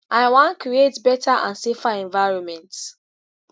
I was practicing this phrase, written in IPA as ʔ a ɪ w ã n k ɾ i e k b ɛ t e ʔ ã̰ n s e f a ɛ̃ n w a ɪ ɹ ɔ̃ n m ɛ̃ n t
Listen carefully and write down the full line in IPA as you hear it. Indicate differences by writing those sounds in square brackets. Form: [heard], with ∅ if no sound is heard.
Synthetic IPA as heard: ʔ a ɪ w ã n k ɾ i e [t] b ɛ t [a] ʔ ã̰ n s e f a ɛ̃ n [v] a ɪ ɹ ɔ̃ n m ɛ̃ n t